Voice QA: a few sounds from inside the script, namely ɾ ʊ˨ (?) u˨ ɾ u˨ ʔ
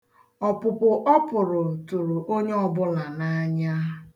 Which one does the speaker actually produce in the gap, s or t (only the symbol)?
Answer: t